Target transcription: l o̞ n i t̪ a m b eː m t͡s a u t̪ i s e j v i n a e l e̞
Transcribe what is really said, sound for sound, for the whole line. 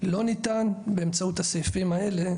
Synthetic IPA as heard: l o̞ n i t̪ a n b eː m t͡s a u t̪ a s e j f i m a e l e̞